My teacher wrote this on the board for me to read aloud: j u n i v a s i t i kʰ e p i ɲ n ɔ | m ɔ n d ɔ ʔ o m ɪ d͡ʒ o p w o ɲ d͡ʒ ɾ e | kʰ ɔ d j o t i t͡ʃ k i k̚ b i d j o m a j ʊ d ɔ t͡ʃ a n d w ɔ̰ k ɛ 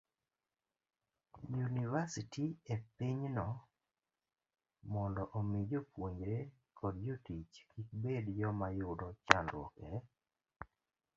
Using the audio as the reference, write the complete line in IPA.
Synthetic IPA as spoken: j u n i v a s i t i e p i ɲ n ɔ | m ɔ n d ɔ ʔ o m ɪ d͡ʒ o p w o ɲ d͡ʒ ɾ e | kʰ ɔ d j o t i t͡ʃ k i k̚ b e d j ɔ m a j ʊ d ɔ t͡ʃ a n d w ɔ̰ k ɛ